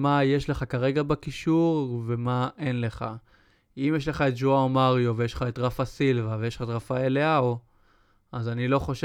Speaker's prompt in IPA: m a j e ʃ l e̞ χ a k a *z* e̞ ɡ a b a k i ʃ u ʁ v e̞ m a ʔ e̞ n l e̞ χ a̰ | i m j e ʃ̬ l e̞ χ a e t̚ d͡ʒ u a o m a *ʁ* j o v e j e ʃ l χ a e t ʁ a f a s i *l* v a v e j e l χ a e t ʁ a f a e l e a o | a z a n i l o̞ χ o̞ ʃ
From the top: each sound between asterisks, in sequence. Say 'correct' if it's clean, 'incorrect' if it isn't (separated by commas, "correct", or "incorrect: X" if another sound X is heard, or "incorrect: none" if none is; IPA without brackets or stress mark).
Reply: incorrect: ʁ, correct, correct